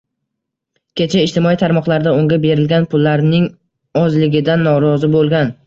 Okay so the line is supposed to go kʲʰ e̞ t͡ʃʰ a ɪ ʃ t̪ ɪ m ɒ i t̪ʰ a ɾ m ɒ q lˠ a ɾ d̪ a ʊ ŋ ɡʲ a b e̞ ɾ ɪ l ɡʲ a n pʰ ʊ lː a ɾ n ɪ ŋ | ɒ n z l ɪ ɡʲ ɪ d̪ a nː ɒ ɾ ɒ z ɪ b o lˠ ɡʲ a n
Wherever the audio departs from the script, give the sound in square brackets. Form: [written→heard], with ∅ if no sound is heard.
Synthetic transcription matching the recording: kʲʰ e̞ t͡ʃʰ a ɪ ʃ t̪ ɪ m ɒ i t̪ʰ a ɾ m ɒ q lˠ a ɾ d̪ a ʊ ŋ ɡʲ a b e̞ ɾ ɪ l ɡʲ a n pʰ ʊ lː a ɾ n ɪ ŋ | ɒ [n→∅] z l ɪ ɡʲ ɪ d̪ a nː ɒ ɾ ɒ z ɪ b o lˠ ɡʲ a n